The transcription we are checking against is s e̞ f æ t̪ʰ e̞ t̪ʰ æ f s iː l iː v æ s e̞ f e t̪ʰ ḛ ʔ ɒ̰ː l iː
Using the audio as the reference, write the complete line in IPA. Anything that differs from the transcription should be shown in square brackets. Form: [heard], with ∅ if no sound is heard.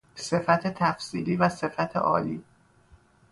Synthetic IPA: s e̞ f æ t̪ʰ e̞ t̪ʰ æ f s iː l iː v æ s e̞ f [æ] t̪ʰ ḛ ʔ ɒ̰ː l iː